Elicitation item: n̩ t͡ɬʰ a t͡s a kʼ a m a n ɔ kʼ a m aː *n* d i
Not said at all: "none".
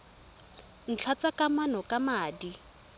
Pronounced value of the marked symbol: none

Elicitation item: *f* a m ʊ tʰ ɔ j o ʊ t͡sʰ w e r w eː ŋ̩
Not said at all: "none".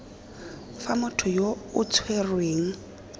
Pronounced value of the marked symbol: f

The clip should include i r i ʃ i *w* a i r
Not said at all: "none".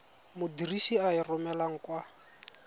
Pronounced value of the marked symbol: none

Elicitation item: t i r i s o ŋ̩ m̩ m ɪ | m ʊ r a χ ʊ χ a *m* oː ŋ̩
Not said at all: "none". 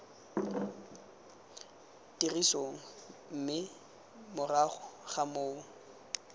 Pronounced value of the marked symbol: m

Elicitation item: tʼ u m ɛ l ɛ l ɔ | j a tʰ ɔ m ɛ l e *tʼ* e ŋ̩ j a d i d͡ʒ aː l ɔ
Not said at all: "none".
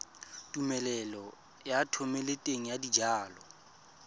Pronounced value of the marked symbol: tʼ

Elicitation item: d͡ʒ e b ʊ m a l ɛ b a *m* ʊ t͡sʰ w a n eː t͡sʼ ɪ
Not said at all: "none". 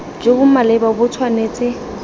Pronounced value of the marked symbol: b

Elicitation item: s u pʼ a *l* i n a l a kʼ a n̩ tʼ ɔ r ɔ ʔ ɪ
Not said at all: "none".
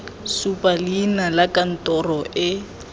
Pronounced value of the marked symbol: l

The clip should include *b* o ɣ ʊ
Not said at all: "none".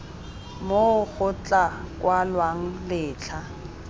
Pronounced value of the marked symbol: m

